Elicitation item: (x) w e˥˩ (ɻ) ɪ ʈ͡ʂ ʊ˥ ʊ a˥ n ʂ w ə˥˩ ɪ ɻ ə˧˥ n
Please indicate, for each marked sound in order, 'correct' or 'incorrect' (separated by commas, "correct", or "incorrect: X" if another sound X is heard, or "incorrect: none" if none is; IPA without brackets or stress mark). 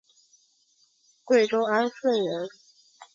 incorrect: k, incorrect: none